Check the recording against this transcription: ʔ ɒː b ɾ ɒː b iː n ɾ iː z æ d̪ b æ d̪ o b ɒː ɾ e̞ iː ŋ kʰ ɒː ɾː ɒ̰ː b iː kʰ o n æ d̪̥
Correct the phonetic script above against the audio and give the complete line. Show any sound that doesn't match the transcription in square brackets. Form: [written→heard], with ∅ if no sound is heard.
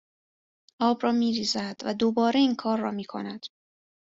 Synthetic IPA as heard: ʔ ɒː b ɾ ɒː [b→m] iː [n→∅] ɾ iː z æ d̪ [b→v] æ d̪ o b ɒː ɾ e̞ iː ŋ kʰ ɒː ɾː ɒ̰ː [b→m] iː kʰ o n æ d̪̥